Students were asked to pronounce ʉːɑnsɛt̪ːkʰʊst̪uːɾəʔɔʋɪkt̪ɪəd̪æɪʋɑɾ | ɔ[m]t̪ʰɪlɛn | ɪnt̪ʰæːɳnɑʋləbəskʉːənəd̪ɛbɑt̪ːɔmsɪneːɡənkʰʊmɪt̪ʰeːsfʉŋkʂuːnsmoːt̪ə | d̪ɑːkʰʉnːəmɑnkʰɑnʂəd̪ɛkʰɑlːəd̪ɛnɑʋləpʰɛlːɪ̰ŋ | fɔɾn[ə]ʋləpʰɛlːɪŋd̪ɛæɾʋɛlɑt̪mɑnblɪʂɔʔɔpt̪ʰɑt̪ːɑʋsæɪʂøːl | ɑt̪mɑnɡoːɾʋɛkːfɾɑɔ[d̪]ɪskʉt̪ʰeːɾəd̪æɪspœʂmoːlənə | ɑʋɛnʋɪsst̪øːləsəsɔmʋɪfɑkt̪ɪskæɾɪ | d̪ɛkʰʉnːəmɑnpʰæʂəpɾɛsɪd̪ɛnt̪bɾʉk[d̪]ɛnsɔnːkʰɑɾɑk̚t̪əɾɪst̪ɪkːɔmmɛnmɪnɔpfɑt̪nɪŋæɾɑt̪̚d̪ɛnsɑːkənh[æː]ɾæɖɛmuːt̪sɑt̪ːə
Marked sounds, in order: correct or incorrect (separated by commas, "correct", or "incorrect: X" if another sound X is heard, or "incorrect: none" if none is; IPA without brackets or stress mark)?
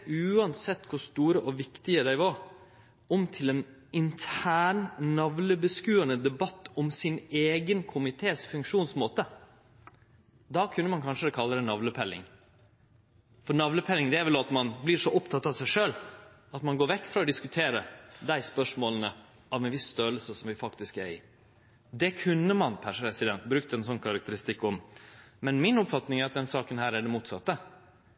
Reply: correct, incorrect: ɑ, correct, incorrect: t̪, correct